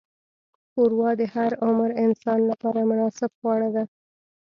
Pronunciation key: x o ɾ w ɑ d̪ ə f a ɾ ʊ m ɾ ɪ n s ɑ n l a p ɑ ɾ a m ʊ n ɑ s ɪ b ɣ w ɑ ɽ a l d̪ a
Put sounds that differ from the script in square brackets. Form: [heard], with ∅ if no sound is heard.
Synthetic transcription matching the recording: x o ɾ w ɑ d̪ ə [h] a ɾ ʊ m ɾ ɪ n s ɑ n l a p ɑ ɾ a m ʊ n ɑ s ɪ b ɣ w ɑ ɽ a [∅] d̪ a